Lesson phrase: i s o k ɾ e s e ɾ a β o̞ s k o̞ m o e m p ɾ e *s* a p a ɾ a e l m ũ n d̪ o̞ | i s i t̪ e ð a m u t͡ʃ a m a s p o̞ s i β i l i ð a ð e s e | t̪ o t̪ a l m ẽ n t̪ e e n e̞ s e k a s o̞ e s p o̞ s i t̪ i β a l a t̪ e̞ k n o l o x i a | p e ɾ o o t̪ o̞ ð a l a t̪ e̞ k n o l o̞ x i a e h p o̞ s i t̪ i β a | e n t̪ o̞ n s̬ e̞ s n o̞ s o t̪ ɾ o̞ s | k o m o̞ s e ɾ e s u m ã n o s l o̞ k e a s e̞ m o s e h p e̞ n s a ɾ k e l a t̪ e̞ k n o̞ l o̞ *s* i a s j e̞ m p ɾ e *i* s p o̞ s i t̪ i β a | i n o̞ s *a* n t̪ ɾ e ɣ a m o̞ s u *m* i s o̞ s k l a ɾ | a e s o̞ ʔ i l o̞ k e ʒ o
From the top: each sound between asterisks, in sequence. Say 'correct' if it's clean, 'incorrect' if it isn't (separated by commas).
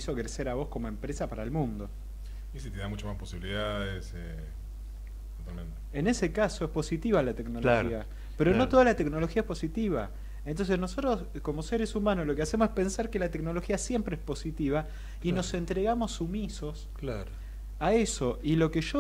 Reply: correct, incorrect, incorrect, incorrect, correct